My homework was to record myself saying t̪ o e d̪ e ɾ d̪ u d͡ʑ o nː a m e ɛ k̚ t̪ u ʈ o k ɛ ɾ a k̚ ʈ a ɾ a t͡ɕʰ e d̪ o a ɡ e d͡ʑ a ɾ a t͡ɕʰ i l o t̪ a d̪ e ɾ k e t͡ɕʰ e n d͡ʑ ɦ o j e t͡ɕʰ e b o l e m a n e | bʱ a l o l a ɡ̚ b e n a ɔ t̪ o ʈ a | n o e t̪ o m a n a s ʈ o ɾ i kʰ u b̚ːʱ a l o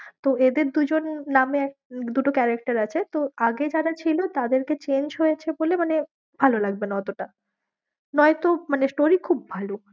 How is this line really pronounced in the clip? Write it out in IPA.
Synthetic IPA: t̪ o e d̪ e ɾ d̪ u d͡ʑ o nː a m e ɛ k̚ d̪ u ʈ o k ɛ ɾ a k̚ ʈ a ɾ a t͡ɕʰ e t̪ o a ɡ e d͡ʑ a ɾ a t͡ɕʰ i l o t̪ a d̪ e ɾ k e t͡ɕ e n d͡ʑ ɦ o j e t͡ɕʰ e b o l e m a n e | bʱ a l o l a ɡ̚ b e n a ɔ t̪ o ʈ a | n ɔ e t̪ o m a n e s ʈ o ɾ i kʰ u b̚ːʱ a l o

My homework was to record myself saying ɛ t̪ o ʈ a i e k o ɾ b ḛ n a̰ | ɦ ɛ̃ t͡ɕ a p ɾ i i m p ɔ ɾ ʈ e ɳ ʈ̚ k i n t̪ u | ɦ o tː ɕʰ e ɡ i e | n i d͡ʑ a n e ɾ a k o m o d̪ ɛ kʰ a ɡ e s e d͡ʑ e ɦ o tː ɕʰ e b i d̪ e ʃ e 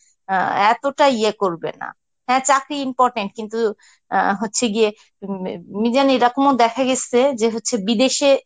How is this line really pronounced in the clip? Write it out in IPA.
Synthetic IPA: ɛ t̪ o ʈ a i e k o ɾ b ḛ n a̰ | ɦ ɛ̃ t͡ɕ a k ɾ i i m p ɔ ɾ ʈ e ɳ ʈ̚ k i n t̪ u | ɦ o tː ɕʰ e ɡ i e | m i d͡ʑ a n e ɾ a k o m o d̪ ɛ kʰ a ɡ e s e d͡ʑ e ɦ o tː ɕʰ e b i d̪ e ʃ e

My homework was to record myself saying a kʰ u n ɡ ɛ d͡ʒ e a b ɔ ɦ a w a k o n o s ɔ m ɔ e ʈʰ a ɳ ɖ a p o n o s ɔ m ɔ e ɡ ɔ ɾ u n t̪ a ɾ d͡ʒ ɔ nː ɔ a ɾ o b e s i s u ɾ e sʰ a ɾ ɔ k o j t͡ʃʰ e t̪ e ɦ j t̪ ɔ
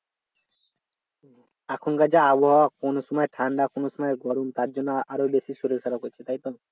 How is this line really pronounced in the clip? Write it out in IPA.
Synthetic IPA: a kʰ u n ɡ a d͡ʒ a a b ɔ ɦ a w a k o n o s ɔ m ɔ e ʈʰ a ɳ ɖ a k o n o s ɔ m ɔ e ɡ ɔ ɾ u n t̪ a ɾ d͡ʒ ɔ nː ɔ a ɾ o b e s i s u ɾ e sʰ a ɾ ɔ k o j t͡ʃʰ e t̪ a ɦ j t̪ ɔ

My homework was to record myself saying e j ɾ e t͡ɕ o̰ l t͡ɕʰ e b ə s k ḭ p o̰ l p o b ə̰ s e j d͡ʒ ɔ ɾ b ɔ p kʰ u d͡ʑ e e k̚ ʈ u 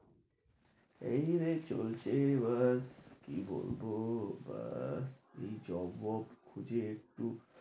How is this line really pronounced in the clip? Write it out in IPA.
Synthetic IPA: e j ɾ e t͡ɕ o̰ l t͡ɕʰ e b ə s k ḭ b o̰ l b o b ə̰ s e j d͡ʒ ɔ b ɔ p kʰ u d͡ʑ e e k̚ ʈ u

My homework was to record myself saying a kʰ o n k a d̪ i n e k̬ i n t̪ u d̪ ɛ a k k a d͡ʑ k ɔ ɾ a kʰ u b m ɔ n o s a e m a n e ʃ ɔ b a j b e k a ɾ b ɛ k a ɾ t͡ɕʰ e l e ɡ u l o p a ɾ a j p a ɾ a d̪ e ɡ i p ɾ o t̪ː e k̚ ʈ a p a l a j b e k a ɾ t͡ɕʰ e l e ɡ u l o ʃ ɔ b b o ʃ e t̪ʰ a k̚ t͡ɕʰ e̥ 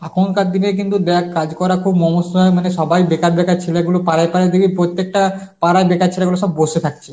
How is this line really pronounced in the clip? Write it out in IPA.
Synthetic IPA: a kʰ o n k a d̪ i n e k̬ i n t̪ u d̪ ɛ a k k a d͡ʑ k ɔ ɾ a kʰ u b m ɔ m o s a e m a n e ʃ ɔ b a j b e k a ɾ b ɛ k a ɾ t͡ɕʰ e l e ɡ u l o p a ɾ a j p a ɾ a d̪ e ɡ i p ɾ o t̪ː e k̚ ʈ a p a ɾ a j b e k a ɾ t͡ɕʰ e l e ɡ u l o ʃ ɔ b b o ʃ e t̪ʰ a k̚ t͡ɕʰ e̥

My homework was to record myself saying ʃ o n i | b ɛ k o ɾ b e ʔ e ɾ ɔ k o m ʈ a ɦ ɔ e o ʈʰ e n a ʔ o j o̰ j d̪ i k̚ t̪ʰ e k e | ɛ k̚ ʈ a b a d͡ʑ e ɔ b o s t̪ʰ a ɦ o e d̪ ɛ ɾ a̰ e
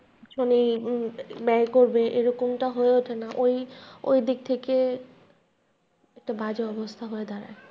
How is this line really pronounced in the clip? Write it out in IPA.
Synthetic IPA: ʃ o n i | b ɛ k o ɾ b e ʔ e ɾ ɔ k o m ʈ a ɦ o e o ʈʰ e n a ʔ o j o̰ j d̪ i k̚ t̪ʰ e k e | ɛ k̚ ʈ a b a d͡ʑ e ɔ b o s t̪ʰ a ɦ o e d̪ a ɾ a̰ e

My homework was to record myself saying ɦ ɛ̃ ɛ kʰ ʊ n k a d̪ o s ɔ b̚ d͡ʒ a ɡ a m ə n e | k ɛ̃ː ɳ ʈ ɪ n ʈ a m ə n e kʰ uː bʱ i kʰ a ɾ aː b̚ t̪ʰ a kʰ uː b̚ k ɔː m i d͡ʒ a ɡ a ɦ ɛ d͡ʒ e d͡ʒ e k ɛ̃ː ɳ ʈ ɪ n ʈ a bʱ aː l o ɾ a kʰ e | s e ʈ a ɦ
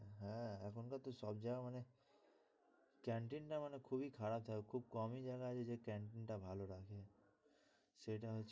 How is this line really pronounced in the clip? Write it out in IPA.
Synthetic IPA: ɦ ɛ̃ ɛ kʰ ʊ n k a t̪ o s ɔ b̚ d͡ʒ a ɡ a m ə n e | k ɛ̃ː ɳ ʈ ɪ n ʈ a m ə n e kʰ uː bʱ i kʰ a ɾ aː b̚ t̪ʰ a kʰ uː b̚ k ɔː m i d͡ʒ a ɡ a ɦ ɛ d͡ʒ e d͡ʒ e k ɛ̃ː ɳ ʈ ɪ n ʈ a bʱ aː l o ɾ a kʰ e | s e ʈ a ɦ

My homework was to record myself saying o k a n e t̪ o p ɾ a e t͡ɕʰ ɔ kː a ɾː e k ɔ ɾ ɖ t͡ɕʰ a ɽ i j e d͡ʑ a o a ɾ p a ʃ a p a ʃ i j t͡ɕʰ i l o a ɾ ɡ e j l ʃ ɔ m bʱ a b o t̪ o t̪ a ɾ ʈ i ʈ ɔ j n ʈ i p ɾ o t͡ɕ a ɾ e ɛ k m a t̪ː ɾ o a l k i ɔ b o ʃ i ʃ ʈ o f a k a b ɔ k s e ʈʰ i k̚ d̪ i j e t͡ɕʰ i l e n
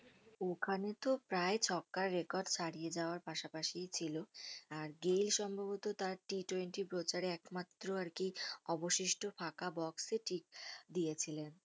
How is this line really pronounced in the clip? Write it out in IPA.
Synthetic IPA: o kʰ a n e t̪ o p ɾ a e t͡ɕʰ ɔ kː a ɾː e k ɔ ɾ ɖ t͡ɕʰ a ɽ i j e d͡ʑ a o a ɾ p a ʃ a p a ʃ i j t͡ɕʰ i l o a ɾ ɡ e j l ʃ ɔ m bʱ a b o t̪ o t̪ a ɾ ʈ i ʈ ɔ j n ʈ i p ɾ o t͡ɕ a ɾ e ɛ k m a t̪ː ɾ o a ɾ k i ɔ b o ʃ i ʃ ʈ o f a k a b ɔ k s e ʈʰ i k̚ d̪ i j e t͡ɕʰ i l e n

